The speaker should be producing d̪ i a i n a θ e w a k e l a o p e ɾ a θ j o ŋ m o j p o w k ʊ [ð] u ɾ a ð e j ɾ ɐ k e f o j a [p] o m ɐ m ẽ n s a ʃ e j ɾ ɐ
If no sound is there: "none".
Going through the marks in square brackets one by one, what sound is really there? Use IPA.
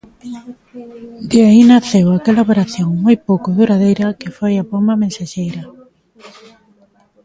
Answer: ð, p

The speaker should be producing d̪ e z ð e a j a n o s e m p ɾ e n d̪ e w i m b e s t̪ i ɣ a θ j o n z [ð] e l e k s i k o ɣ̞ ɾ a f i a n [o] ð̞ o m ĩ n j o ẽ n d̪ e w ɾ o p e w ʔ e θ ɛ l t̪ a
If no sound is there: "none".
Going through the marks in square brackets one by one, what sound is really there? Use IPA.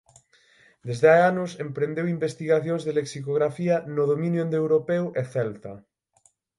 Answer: ð, o

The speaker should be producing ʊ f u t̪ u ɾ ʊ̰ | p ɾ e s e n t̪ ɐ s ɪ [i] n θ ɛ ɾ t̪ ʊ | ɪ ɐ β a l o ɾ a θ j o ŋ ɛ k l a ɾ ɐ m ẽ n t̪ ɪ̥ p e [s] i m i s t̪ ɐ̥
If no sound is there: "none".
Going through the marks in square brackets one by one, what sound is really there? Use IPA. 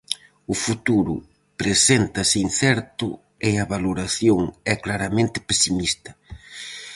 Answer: i, s

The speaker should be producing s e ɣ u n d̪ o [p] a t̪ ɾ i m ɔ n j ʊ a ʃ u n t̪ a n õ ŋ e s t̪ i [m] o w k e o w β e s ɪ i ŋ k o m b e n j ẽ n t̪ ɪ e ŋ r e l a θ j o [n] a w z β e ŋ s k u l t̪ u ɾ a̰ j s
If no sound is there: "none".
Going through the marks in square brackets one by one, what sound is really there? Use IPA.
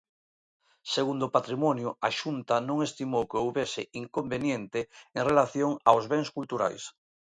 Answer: p, m, ŋ

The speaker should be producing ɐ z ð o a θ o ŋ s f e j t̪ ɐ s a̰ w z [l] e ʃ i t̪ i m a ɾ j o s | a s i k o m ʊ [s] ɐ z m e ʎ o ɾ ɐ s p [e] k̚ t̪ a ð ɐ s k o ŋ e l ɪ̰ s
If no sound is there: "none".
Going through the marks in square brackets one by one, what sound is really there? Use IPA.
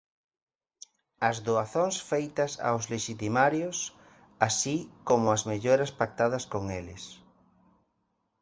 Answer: l, none, a

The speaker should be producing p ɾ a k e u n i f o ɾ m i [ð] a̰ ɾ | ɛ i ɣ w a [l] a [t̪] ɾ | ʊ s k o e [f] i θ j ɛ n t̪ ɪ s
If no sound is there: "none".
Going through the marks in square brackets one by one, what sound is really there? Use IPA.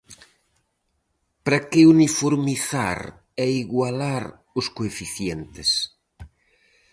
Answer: θ, l, none, f

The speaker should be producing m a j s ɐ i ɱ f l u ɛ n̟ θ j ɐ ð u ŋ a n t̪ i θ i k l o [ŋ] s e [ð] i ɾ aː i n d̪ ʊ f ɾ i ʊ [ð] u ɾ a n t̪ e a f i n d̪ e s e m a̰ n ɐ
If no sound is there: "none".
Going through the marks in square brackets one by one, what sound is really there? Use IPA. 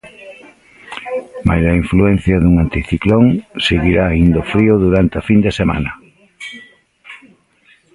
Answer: ŋ, ɣ, ð

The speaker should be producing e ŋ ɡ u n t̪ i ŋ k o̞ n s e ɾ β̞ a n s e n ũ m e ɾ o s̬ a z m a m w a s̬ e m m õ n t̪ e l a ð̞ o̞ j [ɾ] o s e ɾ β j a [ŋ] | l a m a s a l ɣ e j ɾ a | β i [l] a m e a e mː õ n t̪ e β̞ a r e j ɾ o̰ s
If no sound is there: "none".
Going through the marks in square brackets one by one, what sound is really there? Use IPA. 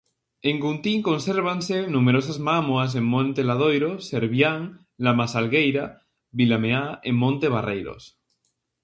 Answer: ɾ, ŋ, l

